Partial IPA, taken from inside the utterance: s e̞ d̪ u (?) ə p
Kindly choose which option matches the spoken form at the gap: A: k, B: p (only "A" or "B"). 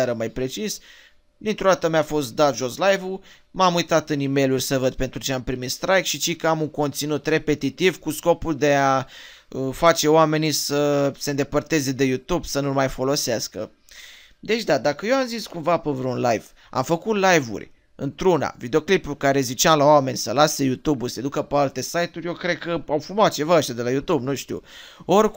A